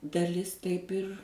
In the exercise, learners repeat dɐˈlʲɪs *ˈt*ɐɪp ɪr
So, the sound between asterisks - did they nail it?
yes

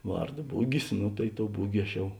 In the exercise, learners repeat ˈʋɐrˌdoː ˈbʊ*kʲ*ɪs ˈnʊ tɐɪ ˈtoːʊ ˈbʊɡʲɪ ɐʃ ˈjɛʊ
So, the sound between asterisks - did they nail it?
no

